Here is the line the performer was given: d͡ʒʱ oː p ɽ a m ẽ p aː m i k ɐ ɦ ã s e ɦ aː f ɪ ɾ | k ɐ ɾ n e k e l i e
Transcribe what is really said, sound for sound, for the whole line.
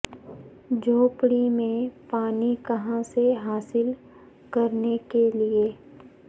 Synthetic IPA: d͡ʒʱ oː p ɽ i m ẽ p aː n i k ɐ ɦ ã s e ɦ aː s ɪ l | k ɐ ɾ n e k e l i e